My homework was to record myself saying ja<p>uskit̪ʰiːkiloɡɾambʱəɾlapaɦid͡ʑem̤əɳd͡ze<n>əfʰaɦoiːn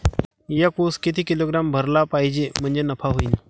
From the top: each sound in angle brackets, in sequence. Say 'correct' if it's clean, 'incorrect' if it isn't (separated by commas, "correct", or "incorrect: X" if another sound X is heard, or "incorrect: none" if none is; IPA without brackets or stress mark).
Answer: incorrect: k, correct